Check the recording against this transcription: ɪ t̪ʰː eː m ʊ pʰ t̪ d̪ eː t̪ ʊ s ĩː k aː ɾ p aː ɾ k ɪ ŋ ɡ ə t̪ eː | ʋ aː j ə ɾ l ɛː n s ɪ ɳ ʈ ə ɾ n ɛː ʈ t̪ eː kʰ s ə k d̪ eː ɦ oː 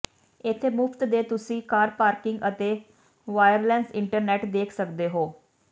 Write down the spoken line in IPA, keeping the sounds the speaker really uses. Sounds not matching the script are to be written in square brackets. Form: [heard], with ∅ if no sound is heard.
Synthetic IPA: ɪ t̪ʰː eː m ʊ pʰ t̪ d̪ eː t̪ ʊ s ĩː k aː ɾ p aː ɾ k ɪ ŋ ɡ ə t̪ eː | ʋ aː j ə ɾ l ɛː n s ɪ ɳ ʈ ə ɾ n ɛː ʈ [d̪] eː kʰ s ə k d̪ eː ɦ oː